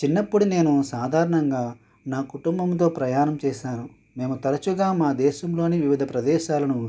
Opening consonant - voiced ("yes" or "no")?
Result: no